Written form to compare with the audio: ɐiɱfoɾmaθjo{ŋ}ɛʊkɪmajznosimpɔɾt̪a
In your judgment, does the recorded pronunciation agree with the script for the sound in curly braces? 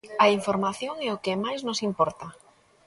yes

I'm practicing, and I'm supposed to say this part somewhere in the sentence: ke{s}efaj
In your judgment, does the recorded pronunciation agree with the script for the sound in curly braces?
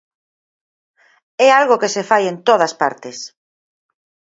yes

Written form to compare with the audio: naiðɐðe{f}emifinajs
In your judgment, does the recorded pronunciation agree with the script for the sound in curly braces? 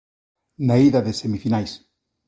no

